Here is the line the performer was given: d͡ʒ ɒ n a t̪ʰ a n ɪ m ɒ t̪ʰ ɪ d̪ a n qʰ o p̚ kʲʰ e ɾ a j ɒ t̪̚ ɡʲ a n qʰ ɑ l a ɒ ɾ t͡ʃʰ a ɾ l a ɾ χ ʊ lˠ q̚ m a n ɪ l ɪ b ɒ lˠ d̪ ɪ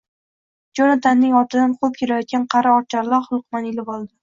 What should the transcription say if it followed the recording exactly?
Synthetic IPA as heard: d͡ʒ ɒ n a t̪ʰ a nː ɪ ŋ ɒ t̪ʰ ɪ d̪ a n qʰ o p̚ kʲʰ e ɾ a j ɒ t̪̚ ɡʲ a n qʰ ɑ ɾ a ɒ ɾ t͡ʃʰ a ɾ l a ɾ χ ʊ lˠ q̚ m a n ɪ l ɪ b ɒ lˠ d̪ ɪ